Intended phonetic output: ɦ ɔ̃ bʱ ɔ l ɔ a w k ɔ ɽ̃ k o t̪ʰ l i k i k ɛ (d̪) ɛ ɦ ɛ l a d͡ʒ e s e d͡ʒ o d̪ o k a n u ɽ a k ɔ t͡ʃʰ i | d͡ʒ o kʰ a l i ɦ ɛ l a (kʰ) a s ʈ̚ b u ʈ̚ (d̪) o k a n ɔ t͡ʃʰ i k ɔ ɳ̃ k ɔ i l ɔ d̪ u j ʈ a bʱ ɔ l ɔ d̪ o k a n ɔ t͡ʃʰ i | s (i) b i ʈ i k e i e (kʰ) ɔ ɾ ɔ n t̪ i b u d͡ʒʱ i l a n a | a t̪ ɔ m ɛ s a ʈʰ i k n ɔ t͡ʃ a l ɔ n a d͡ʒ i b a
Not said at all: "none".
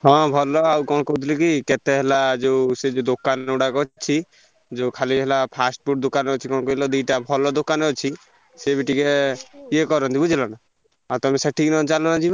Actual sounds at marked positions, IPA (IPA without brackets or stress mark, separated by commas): t̪, pʰ, d̪, e, k